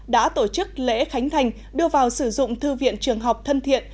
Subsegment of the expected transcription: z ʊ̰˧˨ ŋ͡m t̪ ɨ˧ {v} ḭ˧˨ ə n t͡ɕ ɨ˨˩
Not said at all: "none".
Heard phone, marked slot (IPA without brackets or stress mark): v